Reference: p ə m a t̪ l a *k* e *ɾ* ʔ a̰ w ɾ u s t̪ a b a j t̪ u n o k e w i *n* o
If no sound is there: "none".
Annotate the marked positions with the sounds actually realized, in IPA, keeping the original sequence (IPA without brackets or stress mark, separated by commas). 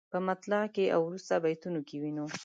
k, none, n